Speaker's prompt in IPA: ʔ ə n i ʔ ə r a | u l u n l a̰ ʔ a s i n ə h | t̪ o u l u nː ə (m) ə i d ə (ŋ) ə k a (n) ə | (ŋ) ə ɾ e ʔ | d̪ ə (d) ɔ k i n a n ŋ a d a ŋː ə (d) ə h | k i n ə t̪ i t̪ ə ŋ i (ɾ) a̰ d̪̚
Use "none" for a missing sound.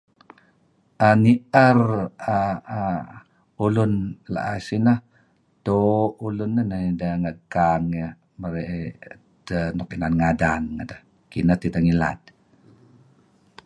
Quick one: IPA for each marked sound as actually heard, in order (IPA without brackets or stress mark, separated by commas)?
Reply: n, ŋ, ŋ, m, n, d, l